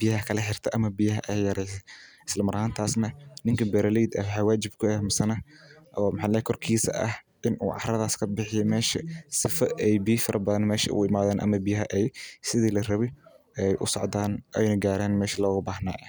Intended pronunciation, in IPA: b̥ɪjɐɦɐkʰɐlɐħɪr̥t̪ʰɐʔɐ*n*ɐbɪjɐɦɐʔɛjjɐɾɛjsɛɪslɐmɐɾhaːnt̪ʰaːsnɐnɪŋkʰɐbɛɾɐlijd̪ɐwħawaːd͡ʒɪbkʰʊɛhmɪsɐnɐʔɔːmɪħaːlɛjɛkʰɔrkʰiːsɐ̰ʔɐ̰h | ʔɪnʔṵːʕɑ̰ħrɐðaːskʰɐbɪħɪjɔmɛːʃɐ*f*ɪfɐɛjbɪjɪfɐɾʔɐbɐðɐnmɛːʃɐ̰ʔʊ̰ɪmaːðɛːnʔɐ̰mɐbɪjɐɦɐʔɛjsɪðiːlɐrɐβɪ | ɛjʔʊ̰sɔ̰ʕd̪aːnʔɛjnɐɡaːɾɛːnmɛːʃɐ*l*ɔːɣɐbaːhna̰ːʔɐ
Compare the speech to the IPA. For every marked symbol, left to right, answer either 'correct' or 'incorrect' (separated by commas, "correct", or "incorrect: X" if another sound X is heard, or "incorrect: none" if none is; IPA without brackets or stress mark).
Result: incorrect: m, incorrect: s, correct